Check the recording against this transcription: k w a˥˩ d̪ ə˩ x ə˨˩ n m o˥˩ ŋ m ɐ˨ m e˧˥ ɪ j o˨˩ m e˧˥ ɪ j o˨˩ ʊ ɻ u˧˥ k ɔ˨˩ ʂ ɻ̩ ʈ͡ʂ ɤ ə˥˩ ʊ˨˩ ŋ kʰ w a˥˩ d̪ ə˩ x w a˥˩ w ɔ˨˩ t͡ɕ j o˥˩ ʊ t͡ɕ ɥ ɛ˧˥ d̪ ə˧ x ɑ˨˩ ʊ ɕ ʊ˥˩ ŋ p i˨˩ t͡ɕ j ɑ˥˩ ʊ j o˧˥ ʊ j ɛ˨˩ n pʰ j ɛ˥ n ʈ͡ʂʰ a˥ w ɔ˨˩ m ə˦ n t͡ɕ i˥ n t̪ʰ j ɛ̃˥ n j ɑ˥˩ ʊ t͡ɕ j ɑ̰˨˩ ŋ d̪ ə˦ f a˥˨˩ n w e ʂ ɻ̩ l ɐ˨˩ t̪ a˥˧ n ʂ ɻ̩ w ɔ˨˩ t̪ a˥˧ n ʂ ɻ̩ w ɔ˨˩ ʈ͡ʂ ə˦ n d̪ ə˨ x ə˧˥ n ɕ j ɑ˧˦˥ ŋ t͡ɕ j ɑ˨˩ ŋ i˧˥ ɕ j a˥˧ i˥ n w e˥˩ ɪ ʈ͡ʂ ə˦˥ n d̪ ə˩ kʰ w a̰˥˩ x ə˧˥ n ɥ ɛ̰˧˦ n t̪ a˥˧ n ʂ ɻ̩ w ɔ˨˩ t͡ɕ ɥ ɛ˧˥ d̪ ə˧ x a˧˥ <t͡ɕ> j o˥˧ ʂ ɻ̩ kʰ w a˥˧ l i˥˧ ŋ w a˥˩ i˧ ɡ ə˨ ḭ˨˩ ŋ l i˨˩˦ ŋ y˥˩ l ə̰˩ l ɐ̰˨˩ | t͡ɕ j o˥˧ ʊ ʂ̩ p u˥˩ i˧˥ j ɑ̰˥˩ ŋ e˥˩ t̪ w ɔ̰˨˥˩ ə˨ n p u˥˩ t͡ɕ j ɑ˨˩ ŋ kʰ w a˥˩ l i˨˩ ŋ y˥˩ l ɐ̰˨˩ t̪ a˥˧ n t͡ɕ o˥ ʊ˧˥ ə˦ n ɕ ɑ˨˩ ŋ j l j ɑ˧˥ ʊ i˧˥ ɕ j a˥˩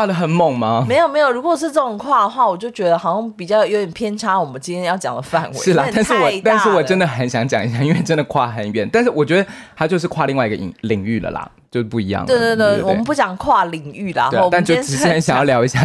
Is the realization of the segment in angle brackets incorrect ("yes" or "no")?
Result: no